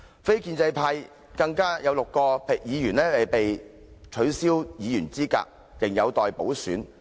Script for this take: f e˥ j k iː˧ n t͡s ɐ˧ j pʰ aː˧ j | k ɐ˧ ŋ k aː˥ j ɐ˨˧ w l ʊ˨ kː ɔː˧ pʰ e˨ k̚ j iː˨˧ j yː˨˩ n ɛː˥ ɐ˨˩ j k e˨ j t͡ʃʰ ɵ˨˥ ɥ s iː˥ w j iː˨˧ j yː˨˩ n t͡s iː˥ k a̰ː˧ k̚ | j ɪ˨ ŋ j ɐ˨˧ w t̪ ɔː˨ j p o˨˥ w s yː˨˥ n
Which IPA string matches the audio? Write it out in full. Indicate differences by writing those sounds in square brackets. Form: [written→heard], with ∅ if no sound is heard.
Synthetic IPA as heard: f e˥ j k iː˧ n t͡s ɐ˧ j pʰ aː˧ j | k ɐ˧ ŋ k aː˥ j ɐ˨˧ w l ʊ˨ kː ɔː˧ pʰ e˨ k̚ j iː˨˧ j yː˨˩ n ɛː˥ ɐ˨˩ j [k→p] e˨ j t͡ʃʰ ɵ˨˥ ɥ s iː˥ w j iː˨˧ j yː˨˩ n t͡s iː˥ k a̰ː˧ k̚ | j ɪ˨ ŋ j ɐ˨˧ w t̪ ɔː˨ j p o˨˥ w s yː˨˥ n